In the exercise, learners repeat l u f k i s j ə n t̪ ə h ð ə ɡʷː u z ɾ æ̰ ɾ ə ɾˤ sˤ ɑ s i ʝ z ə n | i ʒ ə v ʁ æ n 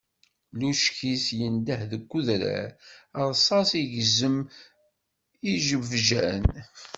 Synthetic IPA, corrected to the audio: l u ʃ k i s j ə n d̪ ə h ð ə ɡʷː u ð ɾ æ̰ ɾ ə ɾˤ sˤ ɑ s i ʝ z ə m | i ʒ ə v ʒ æ n